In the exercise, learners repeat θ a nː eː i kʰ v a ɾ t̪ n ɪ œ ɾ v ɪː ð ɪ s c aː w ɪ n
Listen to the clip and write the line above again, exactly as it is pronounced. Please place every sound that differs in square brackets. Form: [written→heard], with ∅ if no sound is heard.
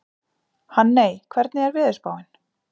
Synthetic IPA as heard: [θ→h] a nː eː [i→j] kʰ v [a→ɛ] ɾ t̪ n ɪ [œ→ɛ] ɾ v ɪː ð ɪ s [c→p] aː w ɪ n